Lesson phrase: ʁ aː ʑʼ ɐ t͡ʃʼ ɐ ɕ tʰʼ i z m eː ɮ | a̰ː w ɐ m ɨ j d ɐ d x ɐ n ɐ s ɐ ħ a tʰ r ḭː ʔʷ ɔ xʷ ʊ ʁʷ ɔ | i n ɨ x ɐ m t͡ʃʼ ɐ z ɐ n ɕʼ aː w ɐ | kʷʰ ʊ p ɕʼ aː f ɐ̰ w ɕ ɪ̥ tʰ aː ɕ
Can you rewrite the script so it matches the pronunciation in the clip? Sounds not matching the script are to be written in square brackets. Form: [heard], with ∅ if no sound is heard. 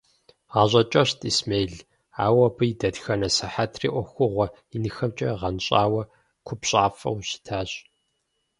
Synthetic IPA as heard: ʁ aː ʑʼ ɐ t͡ʃʼ ɐ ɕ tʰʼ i [s] m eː ɮ | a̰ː w ɐ [b] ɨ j d ɐ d x ɐ n ɐ s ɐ ħ a tʰ r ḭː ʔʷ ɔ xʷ ʊ ʁʷ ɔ | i n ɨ x ɐ m t͡ʃʼ ɐ [ʁ] ɐ n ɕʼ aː w ɐ | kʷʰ ʊ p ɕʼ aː f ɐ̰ w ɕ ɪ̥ tʰ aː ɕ